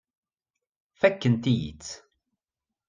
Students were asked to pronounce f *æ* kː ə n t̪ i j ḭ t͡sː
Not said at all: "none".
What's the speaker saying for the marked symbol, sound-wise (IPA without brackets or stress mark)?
æ